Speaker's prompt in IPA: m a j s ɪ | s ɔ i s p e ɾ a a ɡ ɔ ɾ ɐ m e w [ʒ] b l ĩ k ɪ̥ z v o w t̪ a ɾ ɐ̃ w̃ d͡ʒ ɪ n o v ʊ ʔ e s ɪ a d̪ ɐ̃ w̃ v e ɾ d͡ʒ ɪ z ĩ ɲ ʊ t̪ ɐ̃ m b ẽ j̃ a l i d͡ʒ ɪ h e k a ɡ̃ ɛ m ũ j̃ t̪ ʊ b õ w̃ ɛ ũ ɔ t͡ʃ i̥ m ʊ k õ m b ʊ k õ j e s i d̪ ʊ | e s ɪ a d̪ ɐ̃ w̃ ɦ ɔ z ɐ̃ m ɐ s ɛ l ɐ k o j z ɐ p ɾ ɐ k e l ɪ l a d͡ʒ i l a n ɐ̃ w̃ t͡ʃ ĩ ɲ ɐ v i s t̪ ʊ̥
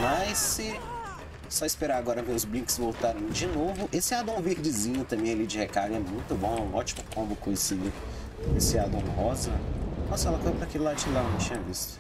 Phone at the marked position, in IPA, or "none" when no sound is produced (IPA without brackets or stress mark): z